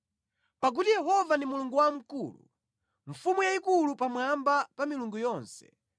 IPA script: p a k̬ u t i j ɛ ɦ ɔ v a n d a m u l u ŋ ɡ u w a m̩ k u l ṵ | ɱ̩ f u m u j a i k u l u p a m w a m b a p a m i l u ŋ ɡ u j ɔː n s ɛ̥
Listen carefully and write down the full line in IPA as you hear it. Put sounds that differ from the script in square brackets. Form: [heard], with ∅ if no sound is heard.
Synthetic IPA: p a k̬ u t i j ɛ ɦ ɔ v a n d [i] m u l u ŋ ɡ u w a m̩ k u l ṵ | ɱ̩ f u m u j a i k u l u p a m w a m b a p a m i l u ŋ ɡ u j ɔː n s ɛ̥